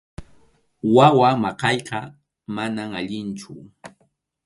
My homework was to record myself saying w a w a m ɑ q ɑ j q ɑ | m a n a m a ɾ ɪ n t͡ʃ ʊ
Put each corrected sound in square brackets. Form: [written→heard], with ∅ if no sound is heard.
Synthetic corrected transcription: w a w a m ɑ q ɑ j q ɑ | m a n a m a [ɾ→ʎ] ɪ n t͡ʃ ʊ

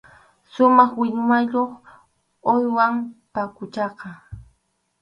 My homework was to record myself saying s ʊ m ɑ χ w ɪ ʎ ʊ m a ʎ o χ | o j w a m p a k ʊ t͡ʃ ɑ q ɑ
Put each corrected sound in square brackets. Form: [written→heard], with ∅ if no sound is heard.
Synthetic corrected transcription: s ʊ m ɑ χ w ɪ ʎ ʊ m a ʎ o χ | o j w a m p a k ʊ t͡ʃ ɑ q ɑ

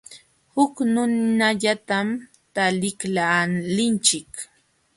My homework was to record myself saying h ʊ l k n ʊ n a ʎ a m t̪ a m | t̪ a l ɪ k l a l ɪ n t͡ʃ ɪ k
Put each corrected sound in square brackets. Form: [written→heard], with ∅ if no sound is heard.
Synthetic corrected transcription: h ʊ [l→∅] k n ʊ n a ʎ a [m→∅] t̪ a m | t̪ a l ɪ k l a l ɪ n t͡ʃ ɪ k

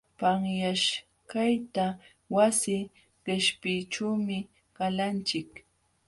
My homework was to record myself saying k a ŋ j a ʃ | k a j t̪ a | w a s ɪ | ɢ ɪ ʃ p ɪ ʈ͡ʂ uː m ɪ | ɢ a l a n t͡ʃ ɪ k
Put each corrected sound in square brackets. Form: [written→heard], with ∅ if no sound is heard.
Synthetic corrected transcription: [k→p] a ŋ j a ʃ | k a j t̪ a | w a s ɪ | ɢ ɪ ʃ p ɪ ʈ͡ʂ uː m ɪ | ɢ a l a n t͡ʃ ɪ k

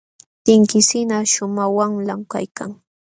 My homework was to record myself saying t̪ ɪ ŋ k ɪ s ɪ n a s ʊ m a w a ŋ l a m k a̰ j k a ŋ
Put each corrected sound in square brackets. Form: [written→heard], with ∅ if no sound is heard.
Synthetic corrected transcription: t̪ ɪ ŋ k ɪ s ɪ n a [s→ʃ] ʊ m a w a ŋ l a m k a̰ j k a ŋ

